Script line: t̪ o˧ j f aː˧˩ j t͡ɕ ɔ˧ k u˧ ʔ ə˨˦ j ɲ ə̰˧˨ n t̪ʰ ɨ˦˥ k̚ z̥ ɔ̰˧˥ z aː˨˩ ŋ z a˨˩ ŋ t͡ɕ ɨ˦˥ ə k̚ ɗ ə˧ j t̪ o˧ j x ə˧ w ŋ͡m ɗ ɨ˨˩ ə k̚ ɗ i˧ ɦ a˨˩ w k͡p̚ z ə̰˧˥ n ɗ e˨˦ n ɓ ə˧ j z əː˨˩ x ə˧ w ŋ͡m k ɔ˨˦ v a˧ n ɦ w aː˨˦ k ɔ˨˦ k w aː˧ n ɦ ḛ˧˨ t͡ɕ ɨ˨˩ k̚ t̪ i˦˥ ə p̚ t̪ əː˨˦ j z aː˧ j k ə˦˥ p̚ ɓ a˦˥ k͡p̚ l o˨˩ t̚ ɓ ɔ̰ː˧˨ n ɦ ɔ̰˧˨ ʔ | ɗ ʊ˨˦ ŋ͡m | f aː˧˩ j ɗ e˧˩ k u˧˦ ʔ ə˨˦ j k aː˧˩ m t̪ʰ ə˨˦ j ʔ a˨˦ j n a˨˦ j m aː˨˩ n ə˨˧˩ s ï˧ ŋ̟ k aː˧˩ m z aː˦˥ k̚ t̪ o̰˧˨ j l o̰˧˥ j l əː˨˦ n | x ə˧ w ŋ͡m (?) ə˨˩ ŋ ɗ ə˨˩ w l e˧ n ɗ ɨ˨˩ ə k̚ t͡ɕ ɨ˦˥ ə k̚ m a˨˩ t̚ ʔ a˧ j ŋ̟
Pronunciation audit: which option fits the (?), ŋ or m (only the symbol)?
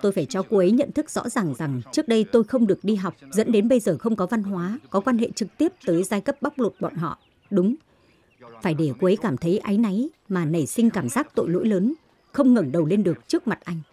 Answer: ŋ